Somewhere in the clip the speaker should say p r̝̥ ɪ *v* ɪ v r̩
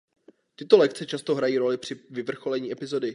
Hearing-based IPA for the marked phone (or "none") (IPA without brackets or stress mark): v